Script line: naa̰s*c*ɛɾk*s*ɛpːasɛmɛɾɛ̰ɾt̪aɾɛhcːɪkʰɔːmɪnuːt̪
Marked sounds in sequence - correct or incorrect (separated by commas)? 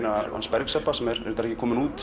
incorrect, correct